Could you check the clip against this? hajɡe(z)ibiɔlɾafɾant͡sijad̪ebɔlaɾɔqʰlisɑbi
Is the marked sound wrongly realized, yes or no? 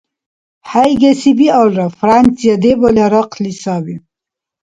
yes